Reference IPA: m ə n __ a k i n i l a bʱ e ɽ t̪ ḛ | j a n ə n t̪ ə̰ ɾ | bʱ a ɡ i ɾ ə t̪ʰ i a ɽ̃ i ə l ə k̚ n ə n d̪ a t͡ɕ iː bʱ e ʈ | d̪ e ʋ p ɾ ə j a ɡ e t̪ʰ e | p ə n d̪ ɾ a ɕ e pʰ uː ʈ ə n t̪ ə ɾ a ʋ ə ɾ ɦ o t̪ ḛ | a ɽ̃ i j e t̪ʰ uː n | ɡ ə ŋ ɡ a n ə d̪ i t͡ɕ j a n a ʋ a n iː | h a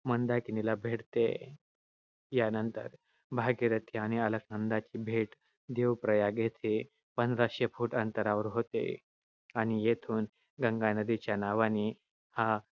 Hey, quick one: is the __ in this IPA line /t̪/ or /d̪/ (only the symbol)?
d̪